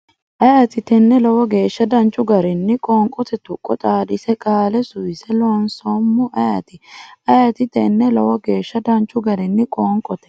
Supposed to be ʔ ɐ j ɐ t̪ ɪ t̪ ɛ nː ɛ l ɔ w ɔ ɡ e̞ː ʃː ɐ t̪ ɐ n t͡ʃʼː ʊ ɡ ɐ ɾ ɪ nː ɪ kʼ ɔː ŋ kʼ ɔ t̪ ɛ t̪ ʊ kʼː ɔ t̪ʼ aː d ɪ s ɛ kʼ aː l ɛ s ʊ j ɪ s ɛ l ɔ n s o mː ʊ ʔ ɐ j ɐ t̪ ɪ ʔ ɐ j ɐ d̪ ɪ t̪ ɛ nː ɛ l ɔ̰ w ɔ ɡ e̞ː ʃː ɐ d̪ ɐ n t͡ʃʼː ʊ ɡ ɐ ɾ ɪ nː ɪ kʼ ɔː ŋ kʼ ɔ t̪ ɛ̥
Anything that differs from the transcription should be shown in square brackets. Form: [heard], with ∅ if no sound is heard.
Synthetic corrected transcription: ʔ ɐ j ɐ t̪ ɪ t̪ ɛ nː ɛ l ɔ w ɔ ɡ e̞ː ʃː ɐ [d̪] ɐ n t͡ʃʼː ʊ ɡ ɐ ɾ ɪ nː ɪ kʼ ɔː ŋ kʼ ɔ t̪ ɛ t̪ ʊ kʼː ɔ t̪ʼ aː d ɪ s ɛ kʼ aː l ɛ s ʊ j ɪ s ɛ l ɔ n s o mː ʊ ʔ ɐ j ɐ t̪ ɪ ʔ ɐ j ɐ [t̪] ɪ t̪ ɛ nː ɛ l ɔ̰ w ɔ ɡ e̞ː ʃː ɐ d̪ ɐ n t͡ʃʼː ʊ ɡ ɐ ɾ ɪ nː ɪ kʼ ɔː ŋ kʼ ɔ t̪ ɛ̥